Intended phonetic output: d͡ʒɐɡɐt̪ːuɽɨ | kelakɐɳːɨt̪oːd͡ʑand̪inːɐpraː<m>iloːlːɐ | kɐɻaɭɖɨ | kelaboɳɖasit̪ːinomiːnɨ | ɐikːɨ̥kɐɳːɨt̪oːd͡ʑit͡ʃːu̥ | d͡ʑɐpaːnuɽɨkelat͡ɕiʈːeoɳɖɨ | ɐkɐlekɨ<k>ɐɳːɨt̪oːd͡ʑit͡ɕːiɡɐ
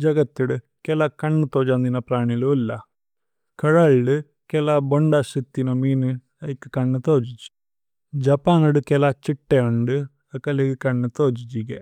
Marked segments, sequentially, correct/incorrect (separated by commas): incorrect, correct